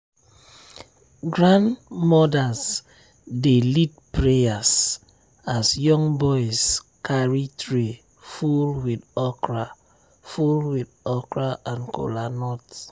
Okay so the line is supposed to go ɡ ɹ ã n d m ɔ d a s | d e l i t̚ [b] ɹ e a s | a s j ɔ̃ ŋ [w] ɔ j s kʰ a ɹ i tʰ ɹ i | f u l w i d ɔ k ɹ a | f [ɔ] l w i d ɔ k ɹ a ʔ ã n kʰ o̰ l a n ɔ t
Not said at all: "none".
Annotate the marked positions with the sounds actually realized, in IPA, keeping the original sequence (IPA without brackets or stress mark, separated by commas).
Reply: p, b, u